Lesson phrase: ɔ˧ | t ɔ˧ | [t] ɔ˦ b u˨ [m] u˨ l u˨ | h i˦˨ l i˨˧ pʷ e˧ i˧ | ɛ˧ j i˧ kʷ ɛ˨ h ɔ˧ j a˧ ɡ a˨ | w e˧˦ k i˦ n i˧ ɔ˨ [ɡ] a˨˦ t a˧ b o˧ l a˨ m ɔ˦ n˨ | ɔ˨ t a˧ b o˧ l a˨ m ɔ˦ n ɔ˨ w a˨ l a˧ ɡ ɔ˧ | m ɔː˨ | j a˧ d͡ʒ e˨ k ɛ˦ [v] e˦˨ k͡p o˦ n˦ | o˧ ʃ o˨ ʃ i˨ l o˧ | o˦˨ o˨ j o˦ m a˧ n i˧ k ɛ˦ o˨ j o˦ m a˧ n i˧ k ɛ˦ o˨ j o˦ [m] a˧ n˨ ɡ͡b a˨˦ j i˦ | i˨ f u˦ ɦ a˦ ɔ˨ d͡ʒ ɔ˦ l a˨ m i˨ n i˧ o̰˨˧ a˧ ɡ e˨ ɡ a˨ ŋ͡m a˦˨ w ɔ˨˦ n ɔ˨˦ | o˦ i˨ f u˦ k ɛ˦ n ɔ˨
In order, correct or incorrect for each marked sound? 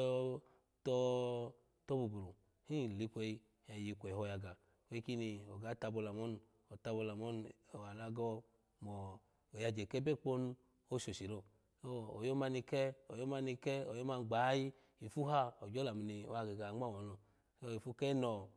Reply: correct, incorrect: b, correct, incorrect: b, correct

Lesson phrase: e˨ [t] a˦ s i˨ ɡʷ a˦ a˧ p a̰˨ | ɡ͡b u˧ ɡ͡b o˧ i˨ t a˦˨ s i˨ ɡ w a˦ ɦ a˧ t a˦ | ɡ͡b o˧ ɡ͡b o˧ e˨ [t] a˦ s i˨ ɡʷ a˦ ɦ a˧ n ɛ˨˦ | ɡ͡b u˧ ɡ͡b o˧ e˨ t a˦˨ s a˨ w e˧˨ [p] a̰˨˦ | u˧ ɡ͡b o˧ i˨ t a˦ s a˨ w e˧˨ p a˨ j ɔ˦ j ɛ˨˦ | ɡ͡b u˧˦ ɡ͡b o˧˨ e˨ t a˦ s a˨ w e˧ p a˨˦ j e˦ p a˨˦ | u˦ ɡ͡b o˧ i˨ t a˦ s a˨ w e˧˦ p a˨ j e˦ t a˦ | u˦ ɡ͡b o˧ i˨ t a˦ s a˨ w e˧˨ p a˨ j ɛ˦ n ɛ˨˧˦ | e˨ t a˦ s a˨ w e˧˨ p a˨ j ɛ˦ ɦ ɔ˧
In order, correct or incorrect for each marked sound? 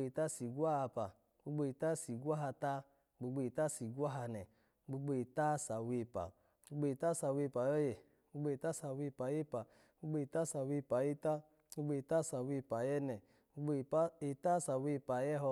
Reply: correct, correct, correct

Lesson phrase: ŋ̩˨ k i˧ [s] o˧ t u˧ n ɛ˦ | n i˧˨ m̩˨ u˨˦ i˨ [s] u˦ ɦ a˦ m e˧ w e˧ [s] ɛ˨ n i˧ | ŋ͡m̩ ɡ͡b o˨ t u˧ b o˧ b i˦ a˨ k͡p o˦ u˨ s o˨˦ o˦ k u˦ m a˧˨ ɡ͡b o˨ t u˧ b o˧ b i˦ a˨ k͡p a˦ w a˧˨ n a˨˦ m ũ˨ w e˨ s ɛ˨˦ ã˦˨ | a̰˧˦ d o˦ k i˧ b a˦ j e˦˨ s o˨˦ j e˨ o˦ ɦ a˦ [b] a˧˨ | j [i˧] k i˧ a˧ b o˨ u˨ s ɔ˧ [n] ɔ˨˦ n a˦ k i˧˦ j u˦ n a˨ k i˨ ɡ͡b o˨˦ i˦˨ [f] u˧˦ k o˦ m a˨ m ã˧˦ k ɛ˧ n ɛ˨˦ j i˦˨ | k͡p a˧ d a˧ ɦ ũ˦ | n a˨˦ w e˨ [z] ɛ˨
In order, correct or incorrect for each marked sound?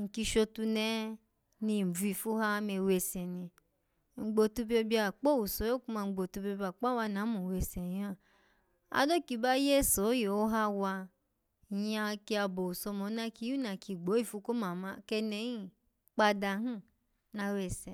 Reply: incorrect: ʃ, incorrect: f, correct, incorrect: w, incorrect: a˧, incorrect: m, correct, incorrect: s

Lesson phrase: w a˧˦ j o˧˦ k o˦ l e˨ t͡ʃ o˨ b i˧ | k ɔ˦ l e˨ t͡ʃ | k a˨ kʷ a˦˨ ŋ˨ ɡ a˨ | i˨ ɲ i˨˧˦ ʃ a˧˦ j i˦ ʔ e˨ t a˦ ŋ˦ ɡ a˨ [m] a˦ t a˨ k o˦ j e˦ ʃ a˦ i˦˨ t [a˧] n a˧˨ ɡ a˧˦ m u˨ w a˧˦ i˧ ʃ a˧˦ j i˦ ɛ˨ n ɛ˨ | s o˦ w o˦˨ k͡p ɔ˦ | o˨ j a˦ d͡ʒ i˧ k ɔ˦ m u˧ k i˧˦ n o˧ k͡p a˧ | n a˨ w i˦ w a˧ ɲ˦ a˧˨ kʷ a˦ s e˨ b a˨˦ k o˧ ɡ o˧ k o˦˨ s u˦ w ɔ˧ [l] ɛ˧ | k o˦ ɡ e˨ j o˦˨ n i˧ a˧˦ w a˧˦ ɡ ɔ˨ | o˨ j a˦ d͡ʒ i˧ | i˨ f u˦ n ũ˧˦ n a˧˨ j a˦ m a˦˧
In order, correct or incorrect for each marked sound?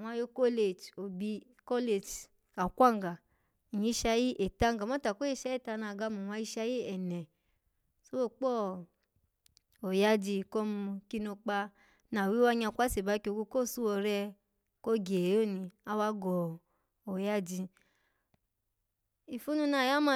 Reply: correct, correct, incorrect: ɾ

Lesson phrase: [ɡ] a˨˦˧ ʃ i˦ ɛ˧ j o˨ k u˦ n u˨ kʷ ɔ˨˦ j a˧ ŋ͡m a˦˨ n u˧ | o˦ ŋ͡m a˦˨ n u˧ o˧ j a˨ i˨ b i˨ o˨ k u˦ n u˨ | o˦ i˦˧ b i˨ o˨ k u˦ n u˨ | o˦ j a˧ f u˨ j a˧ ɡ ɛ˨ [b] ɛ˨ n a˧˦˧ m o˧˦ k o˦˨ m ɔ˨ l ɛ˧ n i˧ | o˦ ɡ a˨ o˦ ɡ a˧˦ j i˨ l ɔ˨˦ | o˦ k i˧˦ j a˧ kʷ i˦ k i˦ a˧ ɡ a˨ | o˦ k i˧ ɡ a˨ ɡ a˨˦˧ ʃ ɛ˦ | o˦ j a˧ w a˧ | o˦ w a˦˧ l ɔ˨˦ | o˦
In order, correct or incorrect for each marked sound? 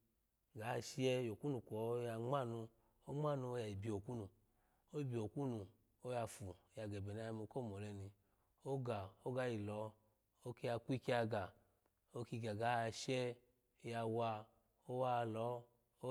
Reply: correct, correct

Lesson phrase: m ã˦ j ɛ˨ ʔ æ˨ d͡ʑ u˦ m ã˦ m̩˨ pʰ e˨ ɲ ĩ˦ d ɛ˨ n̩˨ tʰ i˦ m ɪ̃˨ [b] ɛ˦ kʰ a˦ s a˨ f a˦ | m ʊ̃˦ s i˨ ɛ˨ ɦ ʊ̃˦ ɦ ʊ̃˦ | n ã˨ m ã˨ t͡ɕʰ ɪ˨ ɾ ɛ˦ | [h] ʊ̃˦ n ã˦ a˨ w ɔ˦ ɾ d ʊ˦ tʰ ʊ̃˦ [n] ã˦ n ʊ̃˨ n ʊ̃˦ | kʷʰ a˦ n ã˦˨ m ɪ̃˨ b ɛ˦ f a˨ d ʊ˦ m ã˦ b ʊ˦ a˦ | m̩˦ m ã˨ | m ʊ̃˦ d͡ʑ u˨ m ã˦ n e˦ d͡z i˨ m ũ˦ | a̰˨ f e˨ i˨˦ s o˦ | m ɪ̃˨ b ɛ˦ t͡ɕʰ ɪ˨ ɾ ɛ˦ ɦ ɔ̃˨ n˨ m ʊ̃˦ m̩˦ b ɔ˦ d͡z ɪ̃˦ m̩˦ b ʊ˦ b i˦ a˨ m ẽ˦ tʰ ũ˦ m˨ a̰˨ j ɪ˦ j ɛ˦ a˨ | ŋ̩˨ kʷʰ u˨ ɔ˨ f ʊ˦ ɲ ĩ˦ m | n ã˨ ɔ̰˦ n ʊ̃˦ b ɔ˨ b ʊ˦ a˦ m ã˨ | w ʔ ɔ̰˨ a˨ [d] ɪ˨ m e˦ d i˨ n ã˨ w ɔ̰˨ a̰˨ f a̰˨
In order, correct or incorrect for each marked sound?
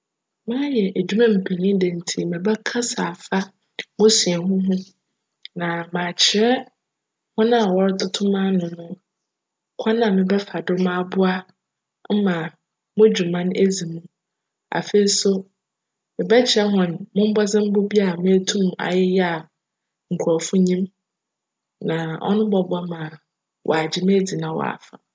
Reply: correct, correct, incorrect: m, incorrect: d͡ʑ

